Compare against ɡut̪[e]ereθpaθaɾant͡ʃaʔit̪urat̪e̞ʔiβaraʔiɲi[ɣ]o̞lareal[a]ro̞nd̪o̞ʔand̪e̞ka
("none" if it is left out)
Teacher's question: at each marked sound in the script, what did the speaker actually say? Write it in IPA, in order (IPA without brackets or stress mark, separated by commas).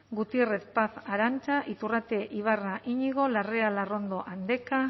i, ɣ, a